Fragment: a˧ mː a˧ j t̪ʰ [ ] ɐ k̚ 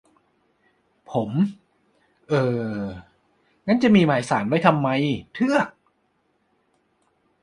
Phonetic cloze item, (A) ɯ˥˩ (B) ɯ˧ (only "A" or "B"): A